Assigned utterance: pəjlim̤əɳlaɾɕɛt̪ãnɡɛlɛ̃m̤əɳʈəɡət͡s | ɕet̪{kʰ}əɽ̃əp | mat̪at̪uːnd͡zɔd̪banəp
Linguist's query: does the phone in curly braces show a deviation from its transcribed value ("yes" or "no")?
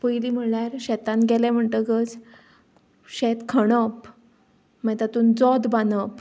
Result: no